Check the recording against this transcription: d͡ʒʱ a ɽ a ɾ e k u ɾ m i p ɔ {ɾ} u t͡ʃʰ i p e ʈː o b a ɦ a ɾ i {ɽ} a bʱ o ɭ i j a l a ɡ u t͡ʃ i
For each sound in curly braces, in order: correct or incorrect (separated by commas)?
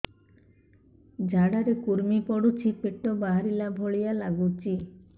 incorrect, incorrect